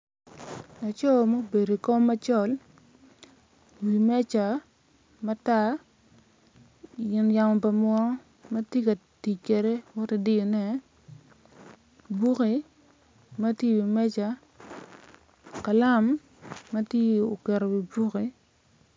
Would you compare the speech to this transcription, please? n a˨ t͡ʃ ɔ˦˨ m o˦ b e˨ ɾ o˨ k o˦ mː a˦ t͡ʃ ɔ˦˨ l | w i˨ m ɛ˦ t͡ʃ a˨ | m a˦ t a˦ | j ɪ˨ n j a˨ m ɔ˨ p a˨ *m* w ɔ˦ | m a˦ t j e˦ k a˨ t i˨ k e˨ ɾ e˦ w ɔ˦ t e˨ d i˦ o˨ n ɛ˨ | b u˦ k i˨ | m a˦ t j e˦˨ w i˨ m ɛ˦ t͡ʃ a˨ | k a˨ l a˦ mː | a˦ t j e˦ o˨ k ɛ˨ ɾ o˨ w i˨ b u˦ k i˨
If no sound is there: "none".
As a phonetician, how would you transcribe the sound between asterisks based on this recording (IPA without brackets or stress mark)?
m